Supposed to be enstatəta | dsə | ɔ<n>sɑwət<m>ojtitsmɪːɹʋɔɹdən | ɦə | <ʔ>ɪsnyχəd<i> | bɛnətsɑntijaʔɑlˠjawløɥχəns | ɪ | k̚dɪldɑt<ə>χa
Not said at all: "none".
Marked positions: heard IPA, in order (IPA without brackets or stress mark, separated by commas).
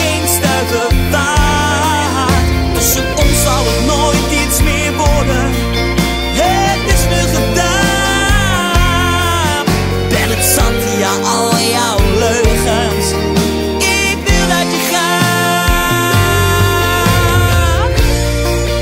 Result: n, n, t, a, ə